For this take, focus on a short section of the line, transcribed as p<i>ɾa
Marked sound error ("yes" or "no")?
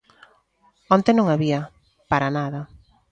yes